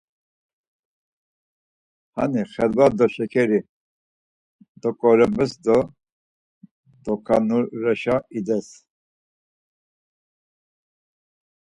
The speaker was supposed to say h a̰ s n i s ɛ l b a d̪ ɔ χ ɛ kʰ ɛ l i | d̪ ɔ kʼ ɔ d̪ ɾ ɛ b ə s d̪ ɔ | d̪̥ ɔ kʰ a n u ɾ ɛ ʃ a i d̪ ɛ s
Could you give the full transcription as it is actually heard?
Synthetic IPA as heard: h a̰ n i χ ɛ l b a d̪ ɔ ʃ ɛ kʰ ɛ ɾ i | d̪ ɔ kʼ ɔ ɾ ɛ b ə s d̪ ɔ | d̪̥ ɔ kʰ a n u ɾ ɛ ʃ a i d̪ ɛ s